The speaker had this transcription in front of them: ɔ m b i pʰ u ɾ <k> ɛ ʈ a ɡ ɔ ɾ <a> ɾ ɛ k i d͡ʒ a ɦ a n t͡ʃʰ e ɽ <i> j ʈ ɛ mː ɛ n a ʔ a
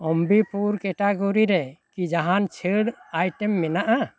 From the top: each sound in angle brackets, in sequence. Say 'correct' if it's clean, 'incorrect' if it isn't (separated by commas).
correct, incorrect, incorrect